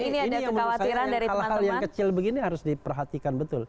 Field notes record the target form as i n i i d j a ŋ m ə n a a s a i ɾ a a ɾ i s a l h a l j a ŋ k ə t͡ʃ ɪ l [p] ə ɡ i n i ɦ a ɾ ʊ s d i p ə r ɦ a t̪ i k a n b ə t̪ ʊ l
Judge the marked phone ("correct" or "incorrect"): incorrect